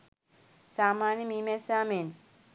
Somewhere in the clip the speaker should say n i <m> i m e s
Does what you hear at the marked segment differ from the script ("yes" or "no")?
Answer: no